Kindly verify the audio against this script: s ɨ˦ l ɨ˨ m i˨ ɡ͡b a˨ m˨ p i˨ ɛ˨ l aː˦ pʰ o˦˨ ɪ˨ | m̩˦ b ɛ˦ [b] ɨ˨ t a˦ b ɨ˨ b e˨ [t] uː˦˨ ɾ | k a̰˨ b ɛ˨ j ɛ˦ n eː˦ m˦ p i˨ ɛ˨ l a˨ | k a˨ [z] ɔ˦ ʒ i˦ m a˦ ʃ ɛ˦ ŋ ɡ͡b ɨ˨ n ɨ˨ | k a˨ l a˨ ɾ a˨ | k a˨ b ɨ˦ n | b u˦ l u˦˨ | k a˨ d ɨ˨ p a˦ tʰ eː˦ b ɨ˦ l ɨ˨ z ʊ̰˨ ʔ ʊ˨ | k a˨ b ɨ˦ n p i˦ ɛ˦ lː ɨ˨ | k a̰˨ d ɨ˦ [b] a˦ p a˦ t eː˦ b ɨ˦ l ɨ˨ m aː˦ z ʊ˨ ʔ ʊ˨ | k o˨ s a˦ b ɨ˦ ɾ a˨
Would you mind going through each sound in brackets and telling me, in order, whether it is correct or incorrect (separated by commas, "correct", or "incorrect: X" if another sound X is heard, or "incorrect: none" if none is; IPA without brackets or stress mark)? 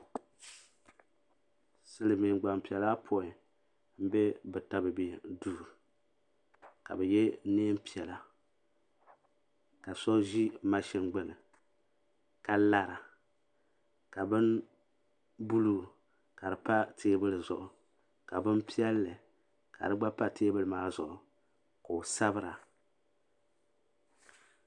correct, incorrect: d, incorrect: s, incorrect: ɡ͡b